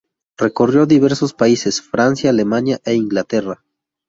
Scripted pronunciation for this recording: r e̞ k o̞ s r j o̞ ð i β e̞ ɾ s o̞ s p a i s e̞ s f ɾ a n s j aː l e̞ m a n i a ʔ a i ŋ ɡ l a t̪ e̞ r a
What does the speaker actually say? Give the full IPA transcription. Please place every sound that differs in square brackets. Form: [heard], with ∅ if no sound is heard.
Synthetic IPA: r e̞ k o̞ [∅] r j o̞ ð i β e̞ ɾ s o̞ s p a i s e̞ s f ɾ a n s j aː l e̞ m a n [j] a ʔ [e] i ŋ ɡ l a t̪ e̞ r a

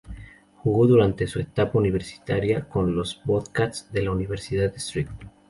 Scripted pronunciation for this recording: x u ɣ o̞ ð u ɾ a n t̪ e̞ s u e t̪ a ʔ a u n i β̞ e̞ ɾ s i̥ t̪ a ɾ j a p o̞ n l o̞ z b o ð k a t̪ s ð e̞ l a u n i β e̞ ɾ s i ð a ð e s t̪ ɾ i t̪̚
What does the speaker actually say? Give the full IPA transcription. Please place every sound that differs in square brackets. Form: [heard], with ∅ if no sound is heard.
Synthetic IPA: x u ɣ o̞ ð u ɾ a n t̪ e̞ s u e t̪ a [p] a u n i β̞ e̞ ɾ s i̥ t̪ a ɾ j a [k] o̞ n l o̞ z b o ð k a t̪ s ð e̞ l a u n i β e̞ ɾ s i ð a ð e s t̪ ɾ i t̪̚

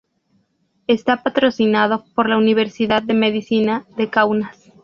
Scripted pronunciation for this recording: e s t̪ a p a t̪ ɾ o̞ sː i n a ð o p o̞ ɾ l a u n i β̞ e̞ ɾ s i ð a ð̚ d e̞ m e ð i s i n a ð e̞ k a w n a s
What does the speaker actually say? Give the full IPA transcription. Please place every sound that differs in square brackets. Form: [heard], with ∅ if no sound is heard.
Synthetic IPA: e s t̪ a p a t̪ ɾ o̞ [s] i n a ð o p o̞ ɾ l a u n i β̞ e̞ ɾ s i ð a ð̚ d e̞ m e ð i s i n a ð e̞ k a w n a s

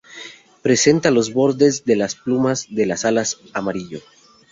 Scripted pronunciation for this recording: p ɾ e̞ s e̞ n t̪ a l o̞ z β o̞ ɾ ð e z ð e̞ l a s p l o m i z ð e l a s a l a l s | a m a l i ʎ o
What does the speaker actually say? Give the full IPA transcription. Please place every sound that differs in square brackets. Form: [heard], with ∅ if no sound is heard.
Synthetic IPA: p ɾ e̞ s e̞ n t̪ a l o̞ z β o̞ ɾ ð e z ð e̞ l a s p l [u] m [a] z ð e l a s a l a [∅] s | a m a [ɾ] i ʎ o

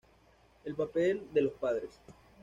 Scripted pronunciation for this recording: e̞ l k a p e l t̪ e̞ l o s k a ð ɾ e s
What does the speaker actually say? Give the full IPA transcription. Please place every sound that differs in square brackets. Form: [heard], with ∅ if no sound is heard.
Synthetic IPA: e̞ l [p] a p e l [d̪] e̞ l o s [p] a ð ɾ e s

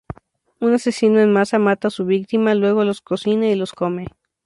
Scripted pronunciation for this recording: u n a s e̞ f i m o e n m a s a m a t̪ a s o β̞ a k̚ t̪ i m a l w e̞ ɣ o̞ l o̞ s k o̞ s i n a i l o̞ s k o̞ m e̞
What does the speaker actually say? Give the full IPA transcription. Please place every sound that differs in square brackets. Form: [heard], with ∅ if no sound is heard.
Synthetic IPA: u n a s e̞ [s] i [n] o e n m a s a m a t̪ a s [u] β̞ [i] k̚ t̪ i m a l w e̞ ɣ o̞ l o̞ s k o̞ s i n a i l o̞ s k o̞ m e̞

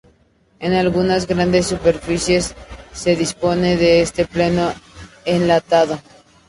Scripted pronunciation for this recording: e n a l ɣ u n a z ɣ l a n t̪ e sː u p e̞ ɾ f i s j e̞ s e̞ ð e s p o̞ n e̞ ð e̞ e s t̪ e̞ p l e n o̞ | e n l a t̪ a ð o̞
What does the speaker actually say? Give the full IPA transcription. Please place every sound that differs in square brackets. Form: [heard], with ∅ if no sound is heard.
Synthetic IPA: e n a l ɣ u n a z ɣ [ɾ] a n [d̪] e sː u p e̞ ɾ f i s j e̞ [sː] e̞ ð [i] s p o̞ n e̞ ð e̞ e s t̪ e̞ p l e n o̞ | e n l a t̪ a ð o̞

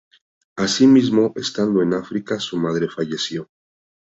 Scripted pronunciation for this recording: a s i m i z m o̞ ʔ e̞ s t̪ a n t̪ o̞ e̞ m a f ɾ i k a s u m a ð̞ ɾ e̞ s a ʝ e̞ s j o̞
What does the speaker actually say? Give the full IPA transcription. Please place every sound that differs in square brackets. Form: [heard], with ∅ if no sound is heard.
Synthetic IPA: a s i m i z m o̞ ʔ e̞ s t̪ a n [d̪] o̞ e̞ [n] a f ɾ i k a s u m a ð̞ ɾ e̞ [f] a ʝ e̞ s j o̞

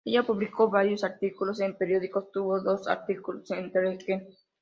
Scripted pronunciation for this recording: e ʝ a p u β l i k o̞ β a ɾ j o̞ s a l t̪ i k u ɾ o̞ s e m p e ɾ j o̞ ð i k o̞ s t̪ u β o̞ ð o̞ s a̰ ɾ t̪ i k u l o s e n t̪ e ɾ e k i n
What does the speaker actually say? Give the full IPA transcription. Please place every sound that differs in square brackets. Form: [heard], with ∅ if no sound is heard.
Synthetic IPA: e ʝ a p u β l i k o̞ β a ɾ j o̞ s a [ɾ] t̪ i k u [l] o̞ s e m p e ɾ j o̞ ð i k o̞ s t̪ u β o̞ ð o̞ s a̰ ɾ t̪ i k u l o s e n t̪ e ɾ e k [e] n

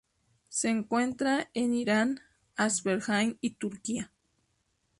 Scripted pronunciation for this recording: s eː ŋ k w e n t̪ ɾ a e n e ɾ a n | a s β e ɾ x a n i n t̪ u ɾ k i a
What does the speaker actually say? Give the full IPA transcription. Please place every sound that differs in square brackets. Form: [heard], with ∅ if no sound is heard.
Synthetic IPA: s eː ŋ k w e n t̪ ɾ a e n [i] ɾ a n | a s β e ɾ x a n i [∅] t̪ u ɾ k i a

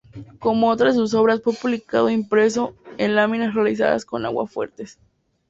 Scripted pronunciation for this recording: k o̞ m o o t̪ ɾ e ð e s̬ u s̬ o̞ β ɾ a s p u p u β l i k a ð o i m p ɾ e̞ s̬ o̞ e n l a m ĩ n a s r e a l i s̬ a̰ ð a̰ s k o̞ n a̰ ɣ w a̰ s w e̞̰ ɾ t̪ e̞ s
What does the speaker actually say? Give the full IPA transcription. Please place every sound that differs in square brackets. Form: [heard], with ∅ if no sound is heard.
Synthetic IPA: k o̞ m o o t̪ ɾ [a] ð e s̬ u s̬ o̞ β ɾ a s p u p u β l i k a ð o i m p ɾ e̞ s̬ o̞ e n l a m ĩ n a s r e a l i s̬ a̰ ð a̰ s k o̞ n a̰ ɣ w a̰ [f] w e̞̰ ɾ t̪ e̞ s

